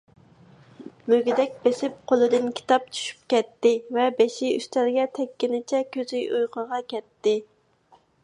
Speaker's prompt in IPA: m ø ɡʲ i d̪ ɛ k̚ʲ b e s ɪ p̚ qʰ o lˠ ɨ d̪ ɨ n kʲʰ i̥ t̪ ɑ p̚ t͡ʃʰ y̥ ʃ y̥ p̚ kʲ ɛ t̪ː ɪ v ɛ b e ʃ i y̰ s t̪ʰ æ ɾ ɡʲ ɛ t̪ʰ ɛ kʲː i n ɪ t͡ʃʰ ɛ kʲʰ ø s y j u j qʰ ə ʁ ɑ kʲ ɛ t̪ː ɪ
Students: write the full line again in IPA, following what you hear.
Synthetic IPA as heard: m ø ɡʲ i d̪ ɛ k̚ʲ b e s ɪ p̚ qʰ o lˠ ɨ d̪ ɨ n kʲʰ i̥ t̪ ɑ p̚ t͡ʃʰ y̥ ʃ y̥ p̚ kʲ ɛ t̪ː ɪ v ɛ b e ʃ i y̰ s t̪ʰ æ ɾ ɡʲ ɛ t̪ʰ ɛ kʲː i n ɪ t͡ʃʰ ɛ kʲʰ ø z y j u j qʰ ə ʁ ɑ kʲ ɛ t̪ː ɪ